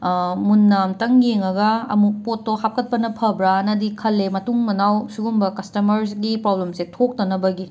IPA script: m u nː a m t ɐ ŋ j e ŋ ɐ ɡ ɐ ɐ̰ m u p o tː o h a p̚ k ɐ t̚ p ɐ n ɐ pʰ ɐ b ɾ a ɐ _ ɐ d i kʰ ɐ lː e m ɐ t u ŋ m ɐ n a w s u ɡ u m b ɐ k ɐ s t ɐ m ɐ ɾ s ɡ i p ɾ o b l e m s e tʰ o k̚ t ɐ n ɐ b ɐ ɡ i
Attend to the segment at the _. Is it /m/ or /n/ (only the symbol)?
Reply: n